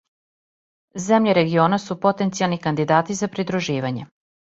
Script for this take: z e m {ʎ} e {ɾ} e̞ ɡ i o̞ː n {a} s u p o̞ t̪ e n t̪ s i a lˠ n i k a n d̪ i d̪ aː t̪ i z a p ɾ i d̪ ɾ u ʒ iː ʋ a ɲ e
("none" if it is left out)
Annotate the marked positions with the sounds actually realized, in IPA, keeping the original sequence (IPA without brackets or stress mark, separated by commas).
ʎ, ɾ, a